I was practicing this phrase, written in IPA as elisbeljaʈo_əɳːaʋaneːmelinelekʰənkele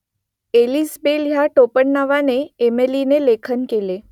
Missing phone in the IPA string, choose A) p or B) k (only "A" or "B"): A